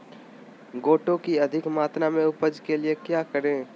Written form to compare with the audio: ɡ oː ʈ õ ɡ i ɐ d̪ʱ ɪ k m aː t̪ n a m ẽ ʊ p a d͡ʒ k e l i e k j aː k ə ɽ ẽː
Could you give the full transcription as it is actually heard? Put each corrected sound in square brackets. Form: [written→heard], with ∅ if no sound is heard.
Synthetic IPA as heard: ɡ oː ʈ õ [ɡ→k] i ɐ d̪ʱ ɪ k m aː t̪ n a m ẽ ʊ p [a→ə] d͡ʒ k e l i e k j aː k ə [ɽ→ɾ] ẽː